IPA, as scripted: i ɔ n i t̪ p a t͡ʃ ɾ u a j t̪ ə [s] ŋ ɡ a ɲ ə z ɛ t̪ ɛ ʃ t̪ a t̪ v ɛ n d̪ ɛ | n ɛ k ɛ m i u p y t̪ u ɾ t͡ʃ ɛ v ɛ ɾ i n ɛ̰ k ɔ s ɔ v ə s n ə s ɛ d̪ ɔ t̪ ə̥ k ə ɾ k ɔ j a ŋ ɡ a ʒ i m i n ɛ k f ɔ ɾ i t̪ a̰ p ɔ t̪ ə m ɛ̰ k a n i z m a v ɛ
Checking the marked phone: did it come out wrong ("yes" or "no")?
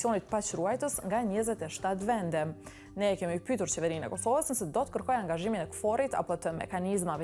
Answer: no